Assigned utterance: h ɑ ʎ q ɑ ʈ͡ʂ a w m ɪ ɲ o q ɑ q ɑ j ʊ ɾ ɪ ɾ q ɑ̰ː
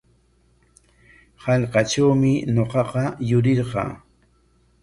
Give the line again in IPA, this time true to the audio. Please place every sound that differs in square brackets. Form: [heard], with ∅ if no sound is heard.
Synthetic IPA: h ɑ ʎ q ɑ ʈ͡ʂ a w m ɪ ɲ o q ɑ q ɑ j ʊ ɾ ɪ ɾ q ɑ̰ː